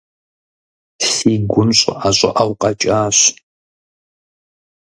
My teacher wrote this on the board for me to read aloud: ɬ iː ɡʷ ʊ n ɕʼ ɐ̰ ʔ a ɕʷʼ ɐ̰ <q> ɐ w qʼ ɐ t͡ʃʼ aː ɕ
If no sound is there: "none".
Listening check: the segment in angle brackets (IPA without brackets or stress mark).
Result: ʔ